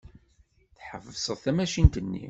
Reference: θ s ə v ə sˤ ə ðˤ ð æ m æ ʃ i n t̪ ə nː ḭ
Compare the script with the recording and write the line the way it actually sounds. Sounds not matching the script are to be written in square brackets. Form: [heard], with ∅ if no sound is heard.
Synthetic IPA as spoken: θ [ħ] ə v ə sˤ ə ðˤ [θ] æ m æ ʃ i n t̪ ə nː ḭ